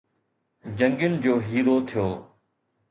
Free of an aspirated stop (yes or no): no